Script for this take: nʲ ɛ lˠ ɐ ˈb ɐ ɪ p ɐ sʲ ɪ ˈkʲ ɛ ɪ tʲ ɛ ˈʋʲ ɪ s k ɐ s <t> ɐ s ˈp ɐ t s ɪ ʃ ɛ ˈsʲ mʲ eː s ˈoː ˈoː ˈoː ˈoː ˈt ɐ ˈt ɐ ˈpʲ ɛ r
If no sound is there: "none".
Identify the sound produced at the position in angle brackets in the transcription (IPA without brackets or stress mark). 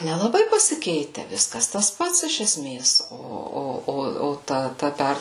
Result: t